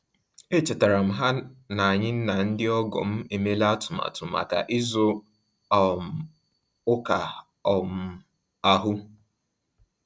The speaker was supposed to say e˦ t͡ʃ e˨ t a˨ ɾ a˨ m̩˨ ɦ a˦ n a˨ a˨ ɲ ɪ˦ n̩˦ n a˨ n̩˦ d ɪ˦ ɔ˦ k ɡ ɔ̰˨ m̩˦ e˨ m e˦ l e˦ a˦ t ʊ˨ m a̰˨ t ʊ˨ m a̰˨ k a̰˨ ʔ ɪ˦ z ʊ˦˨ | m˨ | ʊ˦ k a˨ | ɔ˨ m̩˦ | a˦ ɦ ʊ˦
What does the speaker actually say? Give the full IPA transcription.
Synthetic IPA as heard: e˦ t͡ʃ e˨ t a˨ ɾ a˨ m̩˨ ɦ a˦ n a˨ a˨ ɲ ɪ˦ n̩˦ n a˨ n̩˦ d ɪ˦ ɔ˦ ɡ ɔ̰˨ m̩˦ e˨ m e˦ l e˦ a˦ t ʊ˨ m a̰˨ t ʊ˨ m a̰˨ k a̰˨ ʔ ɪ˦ z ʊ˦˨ | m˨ | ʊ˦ k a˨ | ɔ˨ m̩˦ | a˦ ɦ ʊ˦